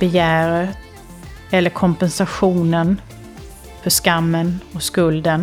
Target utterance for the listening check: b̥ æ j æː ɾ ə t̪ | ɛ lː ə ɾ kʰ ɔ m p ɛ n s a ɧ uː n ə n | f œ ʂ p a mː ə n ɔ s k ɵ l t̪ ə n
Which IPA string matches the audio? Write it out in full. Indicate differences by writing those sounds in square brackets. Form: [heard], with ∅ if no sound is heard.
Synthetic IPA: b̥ [ɛ] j æː ɾ ə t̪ | ɛ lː ə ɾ kʰ ɔ m p ɛ n s a ɧ uː n ə n | f œ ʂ [k] a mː ə n ɔ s k ɵ l [d̪] ə n